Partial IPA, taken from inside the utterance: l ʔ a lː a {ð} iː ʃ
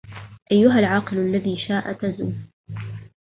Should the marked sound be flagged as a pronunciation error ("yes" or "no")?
no